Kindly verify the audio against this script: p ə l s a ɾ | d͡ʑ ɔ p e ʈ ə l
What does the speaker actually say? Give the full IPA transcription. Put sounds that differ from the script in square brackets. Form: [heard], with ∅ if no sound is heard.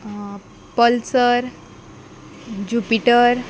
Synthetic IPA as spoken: p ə l s [ə] ɾ | d͡ʑ [u] p [i] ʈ ə [ɾ]